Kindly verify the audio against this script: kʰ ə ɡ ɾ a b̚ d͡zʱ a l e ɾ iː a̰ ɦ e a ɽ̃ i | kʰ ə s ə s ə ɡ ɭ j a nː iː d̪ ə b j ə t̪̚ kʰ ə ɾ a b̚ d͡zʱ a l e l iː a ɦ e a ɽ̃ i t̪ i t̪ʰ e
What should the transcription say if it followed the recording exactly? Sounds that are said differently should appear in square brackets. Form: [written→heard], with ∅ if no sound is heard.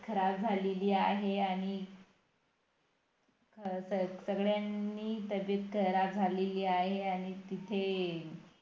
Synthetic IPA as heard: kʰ ə [ɡ→∅] ɾ a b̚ d͡zʱ a l e [ɾ→l] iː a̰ ɦ e a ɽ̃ i | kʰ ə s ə s ə ɡ ɭ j a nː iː [d̪→t̪] ə b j ə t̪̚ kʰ ə ɾ a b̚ d͡zʱ a l e l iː a ɦ e a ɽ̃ i t̪ i t̪ʰ e

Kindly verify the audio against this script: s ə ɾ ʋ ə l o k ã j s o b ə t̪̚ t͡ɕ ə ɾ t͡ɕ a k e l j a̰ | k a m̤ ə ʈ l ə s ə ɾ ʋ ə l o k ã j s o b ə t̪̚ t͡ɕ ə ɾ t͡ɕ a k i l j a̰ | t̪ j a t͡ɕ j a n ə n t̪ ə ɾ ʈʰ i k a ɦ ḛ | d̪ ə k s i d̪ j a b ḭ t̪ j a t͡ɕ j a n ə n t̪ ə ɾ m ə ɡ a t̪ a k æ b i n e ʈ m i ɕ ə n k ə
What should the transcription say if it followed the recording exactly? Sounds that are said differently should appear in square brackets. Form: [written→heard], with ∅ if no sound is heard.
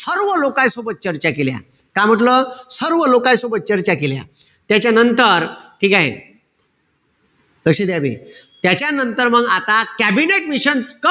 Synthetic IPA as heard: s ə ɾ ʋ ə l o k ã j s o b ə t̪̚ t͡ɕ ə ɾ t͡ɕ a k e l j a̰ | k a m̤ ə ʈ l ə s ə ɾ ʋ ə l o k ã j s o b ə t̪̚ t͡ɕ ə ɾ t͡ɕ a k [i→e] l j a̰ | t̪ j a t͡ɕ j a n ə n t̪ ə ɾ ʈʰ [i→iː] k a ɦ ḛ | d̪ ə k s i d̪ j a b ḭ t̪ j a t͡ɕ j a n ə n t̪ ə ɾ m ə ɡ a t̪ a k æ b i n e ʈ m i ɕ ə n k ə

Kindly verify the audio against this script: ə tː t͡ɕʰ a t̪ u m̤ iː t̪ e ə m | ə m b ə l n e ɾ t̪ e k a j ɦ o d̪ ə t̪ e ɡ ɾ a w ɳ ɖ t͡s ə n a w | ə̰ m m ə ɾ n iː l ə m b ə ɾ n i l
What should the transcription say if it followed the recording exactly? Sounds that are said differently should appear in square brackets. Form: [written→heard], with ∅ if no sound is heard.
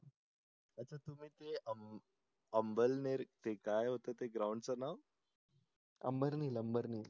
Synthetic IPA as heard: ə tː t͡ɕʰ a t̪ u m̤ iː t̪ e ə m | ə m b ə l n e ɾ t̪ e k a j ɦ o [d̪→t̪] ə t̪ e ɡ ɾ a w ɳ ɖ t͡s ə n a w | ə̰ m [m→b] ə ɾ n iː l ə m b ə ɾ n i l

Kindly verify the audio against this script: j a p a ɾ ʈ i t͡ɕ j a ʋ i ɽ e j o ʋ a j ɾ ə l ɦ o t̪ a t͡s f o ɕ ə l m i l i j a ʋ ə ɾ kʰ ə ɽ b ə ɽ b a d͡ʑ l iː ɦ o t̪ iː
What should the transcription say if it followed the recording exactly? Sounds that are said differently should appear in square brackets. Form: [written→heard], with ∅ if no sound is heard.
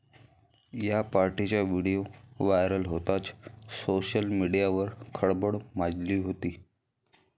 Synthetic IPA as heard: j a p a ɾ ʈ i t͡ɕ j a ʋ i ɽ [e→i] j o ʋ a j ɾ ə l ɦ o t̪ a t͡s [f→s] o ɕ ə l m i [l→ɽ] i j a ʋ ə ɾ kʰ ə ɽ b ə ɽ [b→m] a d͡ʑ l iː ɦ o t̪ iː

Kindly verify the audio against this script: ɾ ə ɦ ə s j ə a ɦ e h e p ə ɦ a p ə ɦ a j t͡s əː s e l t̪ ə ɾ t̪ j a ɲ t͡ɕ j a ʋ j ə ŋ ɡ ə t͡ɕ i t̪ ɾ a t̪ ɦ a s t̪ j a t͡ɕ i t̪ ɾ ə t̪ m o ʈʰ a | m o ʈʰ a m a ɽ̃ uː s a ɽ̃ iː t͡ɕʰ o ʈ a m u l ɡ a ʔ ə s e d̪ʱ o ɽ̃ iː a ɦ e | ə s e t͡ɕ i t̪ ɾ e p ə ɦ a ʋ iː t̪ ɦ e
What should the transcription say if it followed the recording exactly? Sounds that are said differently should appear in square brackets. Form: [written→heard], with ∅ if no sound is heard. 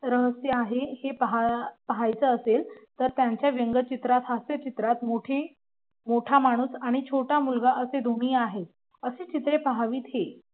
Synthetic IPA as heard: ɾ ə ɦ ə s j ə a ɦ e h e p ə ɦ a p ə ɦ a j t͡s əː s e l t̪ ə ɾ t̪ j a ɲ t͡ɕ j a ʋ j ə ŋ ɡ ə t͡ɕ i t̪ ɾ a t̪ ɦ a s t̪ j [a→ə] t͡ɕ i t̪ ɾ [ə→a] t̪ m o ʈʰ [a→e] | m o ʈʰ a m a ɽ̃ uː s a ɽ̃ [iː→i] t͡ɕʰ o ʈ a m u l ɡ a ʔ ə s e d̪ʱ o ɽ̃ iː a ɦ e | ə s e t͡ɕ i t̪ ɾ e p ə ɦ a ʋ iː t̪ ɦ e

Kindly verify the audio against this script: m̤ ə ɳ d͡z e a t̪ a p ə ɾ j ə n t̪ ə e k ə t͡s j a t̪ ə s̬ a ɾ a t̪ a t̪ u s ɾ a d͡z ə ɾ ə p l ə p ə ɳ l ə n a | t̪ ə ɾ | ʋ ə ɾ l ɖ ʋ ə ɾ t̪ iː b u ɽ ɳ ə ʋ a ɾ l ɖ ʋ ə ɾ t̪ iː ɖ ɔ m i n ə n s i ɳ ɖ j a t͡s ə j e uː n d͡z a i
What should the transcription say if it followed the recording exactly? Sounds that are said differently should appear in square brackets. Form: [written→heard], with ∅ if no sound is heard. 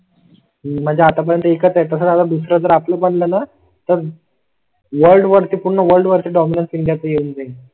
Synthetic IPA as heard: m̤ ə ɳ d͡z e a t̪ a p ə ɾ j ə n t̪ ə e k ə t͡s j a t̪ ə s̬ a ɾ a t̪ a [t̪→d̪] u s ɾ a d͡z ə ɾ [ə→a] p l ə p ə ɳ l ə n a | t̪ ə ɾ | ʋ ə ɾ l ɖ ʋ ə ɾ t̪ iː [b→p] u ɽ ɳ ə ʋ [a→ə] ɾ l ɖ ʋ ə ɾ t̪ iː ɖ ɔ m i n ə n s i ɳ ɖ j a t͡s ə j e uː n d͡z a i

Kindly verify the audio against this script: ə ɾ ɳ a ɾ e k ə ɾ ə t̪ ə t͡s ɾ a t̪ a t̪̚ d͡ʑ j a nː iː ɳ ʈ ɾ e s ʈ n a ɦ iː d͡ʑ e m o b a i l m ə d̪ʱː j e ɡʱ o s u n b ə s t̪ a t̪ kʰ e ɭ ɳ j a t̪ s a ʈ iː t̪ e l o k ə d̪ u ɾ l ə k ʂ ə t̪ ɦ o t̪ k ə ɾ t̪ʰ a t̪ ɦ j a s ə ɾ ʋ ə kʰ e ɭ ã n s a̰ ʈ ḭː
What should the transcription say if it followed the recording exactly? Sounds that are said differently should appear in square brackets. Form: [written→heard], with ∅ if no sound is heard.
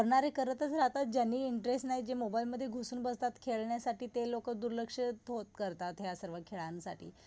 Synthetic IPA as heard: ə ɾ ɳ a ɾ e k ə ɾ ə t̪ ə t͡s ɾ a t̪ a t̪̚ d͡ʑ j a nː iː ɳ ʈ ɾ e s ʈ n a ɦ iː d͡ʑ e m o b a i l m ə d̪ʱː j e ɡʱ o s [u→uː] n b ə s t̪ a t̪ kʰ e ɭ ɳ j a [t̪→∅] s a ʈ iː t̪ e l o k ə d̪ u ɾ l ə k ʂ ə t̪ ɦ o t̪ k ə ɾ [t̪ʰ→t̪] a t̪ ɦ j a s ə ɾ ʋ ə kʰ e ɭ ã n s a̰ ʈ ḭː

